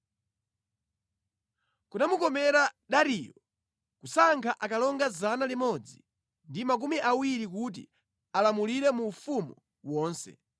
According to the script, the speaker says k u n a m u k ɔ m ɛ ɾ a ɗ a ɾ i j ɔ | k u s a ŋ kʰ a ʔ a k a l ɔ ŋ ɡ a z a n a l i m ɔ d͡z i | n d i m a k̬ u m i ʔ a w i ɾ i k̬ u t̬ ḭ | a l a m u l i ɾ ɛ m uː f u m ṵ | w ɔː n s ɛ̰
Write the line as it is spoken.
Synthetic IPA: k u n a m u k ɔ m ɛ ɾ a ɗ a ɾ i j ɔ | k u s a ŋ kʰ a ʔ a k a l ɔ ŋ ɡ a z a n a l i m ɔ d͡z i | n d i m a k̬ u m i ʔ a w i ɾ i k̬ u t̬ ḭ | a l a m u l i ɾ ɛ m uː f u m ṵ | w ɔː n s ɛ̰

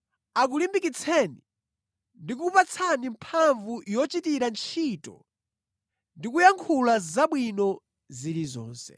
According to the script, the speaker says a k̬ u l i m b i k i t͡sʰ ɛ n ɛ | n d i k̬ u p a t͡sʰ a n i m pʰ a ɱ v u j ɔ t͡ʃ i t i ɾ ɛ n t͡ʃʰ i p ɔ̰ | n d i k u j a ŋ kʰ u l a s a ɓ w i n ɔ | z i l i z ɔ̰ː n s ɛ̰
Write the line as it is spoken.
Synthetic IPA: a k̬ u l i m b i k i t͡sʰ ɛ n i | n d i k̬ u p a t͡sʰ a n i m pʰ a ɱ v u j ɔ t͡ʃ i t i ɾ a n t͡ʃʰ i t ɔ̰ | n d i k u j a ŋ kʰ u l a z a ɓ w i n ɔ | z i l i z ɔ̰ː n s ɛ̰

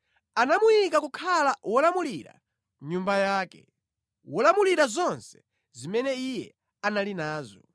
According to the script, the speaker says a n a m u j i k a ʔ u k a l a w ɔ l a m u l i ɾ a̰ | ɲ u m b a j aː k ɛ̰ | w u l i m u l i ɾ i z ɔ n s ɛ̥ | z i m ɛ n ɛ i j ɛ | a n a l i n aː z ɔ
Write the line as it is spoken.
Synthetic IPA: a n a m u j i k a k u kʰ a l a w ɔ l a m u l i ɾ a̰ | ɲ u m b a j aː k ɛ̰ | w ɔ l a m u l i ɾ a z ɔ n s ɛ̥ | z i m ɛ n ɛ i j ɛ | a n a l i n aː z ɔ

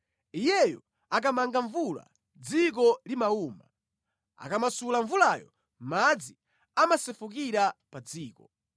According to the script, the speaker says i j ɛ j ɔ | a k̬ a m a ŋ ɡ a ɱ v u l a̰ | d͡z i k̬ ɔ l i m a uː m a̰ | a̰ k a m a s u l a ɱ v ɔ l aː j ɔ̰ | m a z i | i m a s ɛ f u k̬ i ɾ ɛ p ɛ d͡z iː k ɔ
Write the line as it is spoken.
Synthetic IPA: i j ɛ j ɔ | a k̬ a m a ŋ ɡ a ɱ v u l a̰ | d͡z i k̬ ɔ l i m a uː m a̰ | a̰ k a m a s u l a ɱ v u l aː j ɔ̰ | m a d͡z i | a m a s ɛ f u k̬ i ɾ a p a d͡z iː k ɔ

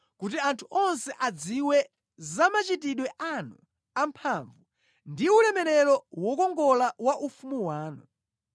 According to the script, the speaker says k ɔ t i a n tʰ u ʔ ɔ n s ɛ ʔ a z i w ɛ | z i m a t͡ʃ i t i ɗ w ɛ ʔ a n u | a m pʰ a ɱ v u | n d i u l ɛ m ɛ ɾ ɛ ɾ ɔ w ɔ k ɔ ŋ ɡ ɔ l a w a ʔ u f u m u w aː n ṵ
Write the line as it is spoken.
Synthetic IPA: k u t i a n tʰ u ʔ ɔ n s ɛ ʔ a d͡z i w ɛ | z a m a t͡ʃ i t i ɗ w ɛ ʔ a n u | a m pʰ a ɱ v u | n d i u l ɛ m ɛ ɾ ɛ ɾ ɔ w ɔ k ɔ ŋ ɡ ɔ l a w a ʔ u f u m u w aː n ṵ

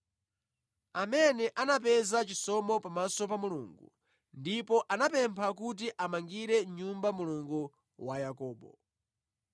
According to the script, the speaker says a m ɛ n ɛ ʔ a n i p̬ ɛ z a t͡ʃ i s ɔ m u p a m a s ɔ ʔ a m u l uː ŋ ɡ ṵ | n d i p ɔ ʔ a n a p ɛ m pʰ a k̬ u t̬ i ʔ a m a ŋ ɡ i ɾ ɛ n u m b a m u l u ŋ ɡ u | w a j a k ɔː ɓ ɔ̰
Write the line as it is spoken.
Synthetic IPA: a m ɛ n ɛ ʔ a n a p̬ ɛ z a t͡ʃ i s ɔ m ɔ p a m a s ɔ p a m u l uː ŋ ɡ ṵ | n d i p ɔ ʔ a n a p ɛ m pʰ a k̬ u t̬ i ʔ a m a ŋ ɡ i ɾ ɛ ɲ u m b a m u l u ŋ ɡ u | w a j a k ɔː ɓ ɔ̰

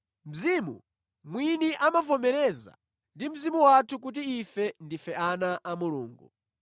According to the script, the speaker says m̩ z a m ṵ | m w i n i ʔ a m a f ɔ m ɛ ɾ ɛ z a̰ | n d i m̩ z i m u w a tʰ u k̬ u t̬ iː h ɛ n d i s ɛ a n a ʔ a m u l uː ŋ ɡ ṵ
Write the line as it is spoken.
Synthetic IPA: m̩ z i m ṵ | m w i n i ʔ a m a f ɔ m ɛ ɾ ɛ z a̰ | n d i m̩ z i m u w a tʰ u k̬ u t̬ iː f ɛ n d i f ɛ a n a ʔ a m u l uː ŋ ɡ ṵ

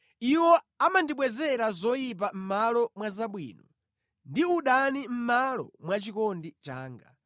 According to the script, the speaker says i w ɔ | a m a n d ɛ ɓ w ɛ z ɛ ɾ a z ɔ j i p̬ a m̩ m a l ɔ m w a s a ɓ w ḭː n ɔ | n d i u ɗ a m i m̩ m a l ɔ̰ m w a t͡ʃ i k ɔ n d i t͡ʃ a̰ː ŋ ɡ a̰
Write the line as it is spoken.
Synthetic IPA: i w ɔ | a m a n d i ɓ w ɛ z ɛ ɾ a z ɔ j i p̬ a m̩ m a l ɔ m w a z a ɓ w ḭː n ɔ | n d i u ɗ a n i m̩ m a l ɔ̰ m w a t͡ʃ i k ɔ n d i t͡ʃ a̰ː ŋ ɡ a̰

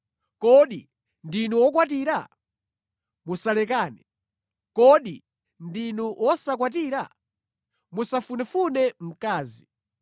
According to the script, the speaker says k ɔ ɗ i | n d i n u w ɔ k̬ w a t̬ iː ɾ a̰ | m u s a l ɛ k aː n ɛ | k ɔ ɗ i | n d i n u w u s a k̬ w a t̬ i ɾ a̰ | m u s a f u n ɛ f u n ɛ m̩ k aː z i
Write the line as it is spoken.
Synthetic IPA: k ɔ ɗ i | n d i n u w ɔ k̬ w a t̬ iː ɾ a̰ | m u s a l ɛ k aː n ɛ | k ɔ ɗ i | n d i n u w ɔ s a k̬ w a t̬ i ɾ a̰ | m u s a f u n ɛ f u n ɛ m̩ k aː z i

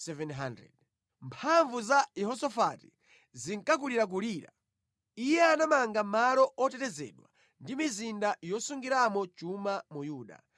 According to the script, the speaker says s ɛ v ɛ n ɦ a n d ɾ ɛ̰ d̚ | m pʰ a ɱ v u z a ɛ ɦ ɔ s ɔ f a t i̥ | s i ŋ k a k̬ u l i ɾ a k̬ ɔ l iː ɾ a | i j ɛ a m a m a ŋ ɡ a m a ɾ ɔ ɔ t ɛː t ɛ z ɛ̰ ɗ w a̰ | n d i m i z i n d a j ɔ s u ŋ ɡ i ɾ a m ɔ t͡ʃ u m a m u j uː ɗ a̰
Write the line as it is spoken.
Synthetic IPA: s ɛ v ɛ n ɦ a n d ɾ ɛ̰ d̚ | m pʰ a ɱ v u z a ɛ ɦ ɔ s ɔ f a t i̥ | z i ŋ k a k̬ u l i ɾ a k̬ u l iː ɾ a | i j ɛ a n a m a ŋ ɡ a m a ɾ ɔ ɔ t ɛ t ɛ z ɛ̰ ɗ w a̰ | n d i m i z i n d a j ɔ s u ŋ ɡ i ɾ a m ɔ t͡ʃ u m a m u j uː ɗ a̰

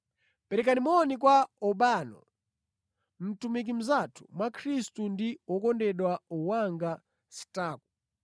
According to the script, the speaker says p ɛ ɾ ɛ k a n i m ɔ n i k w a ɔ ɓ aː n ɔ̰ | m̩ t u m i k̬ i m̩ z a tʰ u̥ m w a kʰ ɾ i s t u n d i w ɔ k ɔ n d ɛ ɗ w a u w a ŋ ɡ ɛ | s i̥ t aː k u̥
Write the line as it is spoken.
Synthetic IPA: p ɛ ɾ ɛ k a n i m ɔ n i k w a ɔ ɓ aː n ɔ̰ | m̩ t u m i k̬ i m̩ z a tʰ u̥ m w a kʰ ɾ i s t u n d i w ɔ k ɔ n d ɛ ɗ w a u w a ŋ ɡ a | s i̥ t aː k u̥

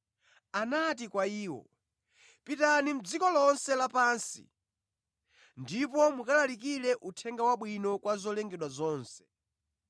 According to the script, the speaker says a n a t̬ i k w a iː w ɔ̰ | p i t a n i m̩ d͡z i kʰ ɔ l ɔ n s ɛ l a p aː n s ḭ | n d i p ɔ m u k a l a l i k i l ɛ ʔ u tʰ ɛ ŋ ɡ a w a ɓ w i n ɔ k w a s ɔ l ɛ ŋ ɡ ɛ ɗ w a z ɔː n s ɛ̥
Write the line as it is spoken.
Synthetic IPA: a n a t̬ i k w a iː w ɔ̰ | p i t a n i m̩ d͡z i k ɔ l ɔ n s ɛ l a p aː n s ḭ | n d i p ɔ m u k a l a l i k i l ɛ ʔ u tʰ ɛ ŋ ɡ a w a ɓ w i n ɔ k w a z ɔ l ɛ ŋ ɡ ɛ ɗ w a z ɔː n s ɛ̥

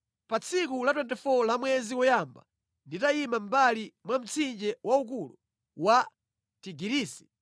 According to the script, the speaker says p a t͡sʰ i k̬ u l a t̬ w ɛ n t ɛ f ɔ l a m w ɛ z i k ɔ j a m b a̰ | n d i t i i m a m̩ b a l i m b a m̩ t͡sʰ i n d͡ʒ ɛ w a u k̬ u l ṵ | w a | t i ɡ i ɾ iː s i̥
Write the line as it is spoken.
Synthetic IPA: p a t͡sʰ i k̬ u l a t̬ w ɛ n t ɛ f ɔ l a m w ɛ z i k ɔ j a m b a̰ | n d i t a i m a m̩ b a l i m w a m̩ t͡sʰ i n d͡ʒ ɛ w a u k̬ u l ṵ | w a | t i ɡ i ɾ iː s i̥

